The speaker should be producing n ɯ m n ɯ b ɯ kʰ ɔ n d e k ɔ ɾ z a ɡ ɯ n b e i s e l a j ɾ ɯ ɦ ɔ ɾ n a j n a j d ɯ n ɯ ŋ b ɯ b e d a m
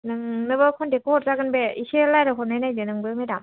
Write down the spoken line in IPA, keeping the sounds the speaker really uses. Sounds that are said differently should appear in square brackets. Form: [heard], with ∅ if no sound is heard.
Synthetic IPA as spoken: n ɯ [ŋ] n ɯ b ɯ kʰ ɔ n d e k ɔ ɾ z a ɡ ɯ n b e i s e l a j ɾ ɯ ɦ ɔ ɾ n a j n a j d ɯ n ɯ ŋ b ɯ [m] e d a m